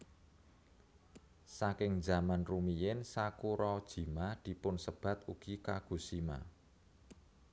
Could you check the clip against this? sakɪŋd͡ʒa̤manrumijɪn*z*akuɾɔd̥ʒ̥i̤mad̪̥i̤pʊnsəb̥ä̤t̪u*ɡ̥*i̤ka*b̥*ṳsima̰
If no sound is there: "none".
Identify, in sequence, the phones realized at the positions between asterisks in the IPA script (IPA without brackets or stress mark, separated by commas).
s, ɡ̥, ɡ̥